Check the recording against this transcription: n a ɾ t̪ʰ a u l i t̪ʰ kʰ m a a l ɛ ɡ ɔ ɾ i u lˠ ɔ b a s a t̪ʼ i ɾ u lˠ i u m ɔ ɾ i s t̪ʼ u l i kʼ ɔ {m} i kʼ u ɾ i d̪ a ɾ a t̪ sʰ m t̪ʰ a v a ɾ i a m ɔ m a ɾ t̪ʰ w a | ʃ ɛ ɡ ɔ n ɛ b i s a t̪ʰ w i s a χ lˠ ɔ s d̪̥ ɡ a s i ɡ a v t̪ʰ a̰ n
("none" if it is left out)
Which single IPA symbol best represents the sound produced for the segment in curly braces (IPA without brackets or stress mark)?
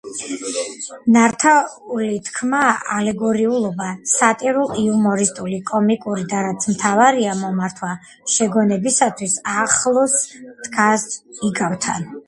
m